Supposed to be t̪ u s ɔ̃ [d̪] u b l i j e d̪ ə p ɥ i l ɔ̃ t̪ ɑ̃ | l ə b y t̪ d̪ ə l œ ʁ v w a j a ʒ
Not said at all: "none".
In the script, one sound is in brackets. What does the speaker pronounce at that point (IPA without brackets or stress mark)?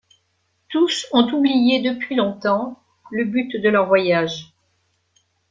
t̪